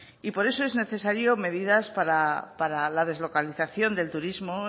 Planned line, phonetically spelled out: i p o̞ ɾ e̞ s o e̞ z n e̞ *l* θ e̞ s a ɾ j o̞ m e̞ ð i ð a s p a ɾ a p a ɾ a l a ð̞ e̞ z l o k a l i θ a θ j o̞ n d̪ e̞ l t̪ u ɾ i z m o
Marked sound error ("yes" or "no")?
yes